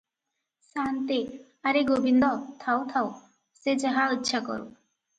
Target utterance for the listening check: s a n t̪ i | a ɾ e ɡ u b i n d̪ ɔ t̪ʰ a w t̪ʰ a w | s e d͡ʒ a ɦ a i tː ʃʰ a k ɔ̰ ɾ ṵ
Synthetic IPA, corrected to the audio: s a n t̪ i | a ɾ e ɡ o b i n d̪ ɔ t̪ʰ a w t̪ʰ a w | s e d͡ʒ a ɦ a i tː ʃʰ a k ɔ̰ ɾ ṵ